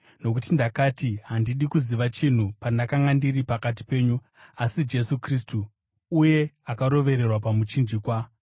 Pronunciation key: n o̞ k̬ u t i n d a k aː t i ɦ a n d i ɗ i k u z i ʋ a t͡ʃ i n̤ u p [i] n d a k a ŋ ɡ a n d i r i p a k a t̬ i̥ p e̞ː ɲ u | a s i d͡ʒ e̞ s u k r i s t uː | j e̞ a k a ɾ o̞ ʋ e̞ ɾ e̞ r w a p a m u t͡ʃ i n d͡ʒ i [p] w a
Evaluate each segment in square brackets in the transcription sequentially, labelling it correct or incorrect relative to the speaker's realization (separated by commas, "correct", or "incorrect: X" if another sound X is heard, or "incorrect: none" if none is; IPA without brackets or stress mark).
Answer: incorrect: a, incorrect: k